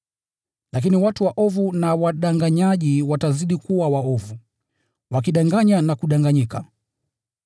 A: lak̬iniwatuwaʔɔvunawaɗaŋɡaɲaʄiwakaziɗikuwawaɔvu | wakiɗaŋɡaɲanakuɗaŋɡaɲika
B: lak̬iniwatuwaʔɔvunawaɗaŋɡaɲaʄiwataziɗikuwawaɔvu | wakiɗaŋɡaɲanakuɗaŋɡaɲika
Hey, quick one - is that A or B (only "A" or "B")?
B